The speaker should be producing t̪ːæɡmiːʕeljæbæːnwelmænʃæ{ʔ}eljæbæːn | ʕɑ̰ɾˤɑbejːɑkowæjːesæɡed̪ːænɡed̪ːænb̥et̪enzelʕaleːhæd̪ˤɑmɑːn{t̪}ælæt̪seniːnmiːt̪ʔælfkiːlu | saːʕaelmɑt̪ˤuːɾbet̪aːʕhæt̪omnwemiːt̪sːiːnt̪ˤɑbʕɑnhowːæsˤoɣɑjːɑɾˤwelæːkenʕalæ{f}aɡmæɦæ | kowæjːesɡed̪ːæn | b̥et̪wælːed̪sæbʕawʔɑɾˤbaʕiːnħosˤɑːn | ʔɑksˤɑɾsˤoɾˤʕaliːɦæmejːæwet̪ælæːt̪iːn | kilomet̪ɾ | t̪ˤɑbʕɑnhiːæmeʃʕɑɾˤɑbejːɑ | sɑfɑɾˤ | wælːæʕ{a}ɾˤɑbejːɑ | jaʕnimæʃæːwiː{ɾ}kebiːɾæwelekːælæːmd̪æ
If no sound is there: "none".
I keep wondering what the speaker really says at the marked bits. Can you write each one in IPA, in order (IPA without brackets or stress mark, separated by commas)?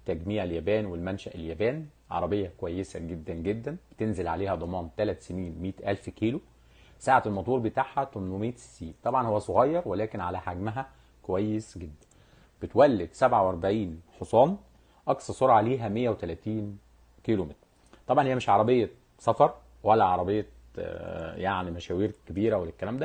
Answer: ʔ, t̪, ħ, ɑ, ɾ